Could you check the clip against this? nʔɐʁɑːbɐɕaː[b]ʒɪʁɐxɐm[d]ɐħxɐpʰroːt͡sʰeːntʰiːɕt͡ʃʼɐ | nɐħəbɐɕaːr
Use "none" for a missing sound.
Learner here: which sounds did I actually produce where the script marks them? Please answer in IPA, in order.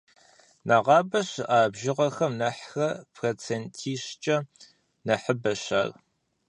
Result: b, n

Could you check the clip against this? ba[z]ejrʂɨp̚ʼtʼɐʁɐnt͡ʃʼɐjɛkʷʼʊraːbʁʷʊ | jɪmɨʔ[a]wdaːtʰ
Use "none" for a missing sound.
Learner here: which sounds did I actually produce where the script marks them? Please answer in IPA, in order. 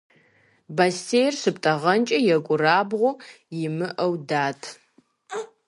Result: s, ɐ

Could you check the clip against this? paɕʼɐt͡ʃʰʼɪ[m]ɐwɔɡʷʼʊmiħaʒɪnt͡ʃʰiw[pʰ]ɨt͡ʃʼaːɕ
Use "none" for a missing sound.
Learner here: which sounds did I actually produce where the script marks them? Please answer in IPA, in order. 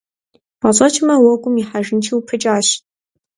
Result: m, pʰ

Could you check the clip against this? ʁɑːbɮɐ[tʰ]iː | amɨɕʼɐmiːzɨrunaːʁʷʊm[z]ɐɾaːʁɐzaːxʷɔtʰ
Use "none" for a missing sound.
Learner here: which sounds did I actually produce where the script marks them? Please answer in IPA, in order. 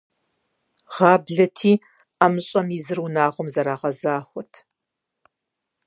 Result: tʰ, z

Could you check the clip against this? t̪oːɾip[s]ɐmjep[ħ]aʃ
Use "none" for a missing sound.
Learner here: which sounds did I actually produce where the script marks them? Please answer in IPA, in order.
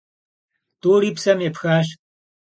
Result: s, x

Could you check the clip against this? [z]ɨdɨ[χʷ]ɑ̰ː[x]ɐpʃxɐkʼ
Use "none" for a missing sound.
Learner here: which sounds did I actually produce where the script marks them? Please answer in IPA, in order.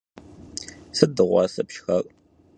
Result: s, ʁʷ, s

